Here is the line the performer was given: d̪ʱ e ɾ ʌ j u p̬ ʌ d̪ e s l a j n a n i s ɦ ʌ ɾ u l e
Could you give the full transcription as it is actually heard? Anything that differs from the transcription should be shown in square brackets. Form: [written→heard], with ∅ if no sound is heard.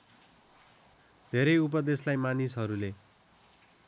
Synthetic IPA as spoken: d̪ʱ e ɾ ʌ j u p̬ ʌ d̪ e s l a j [n→m] a n i s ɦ ʌ ɾ u l e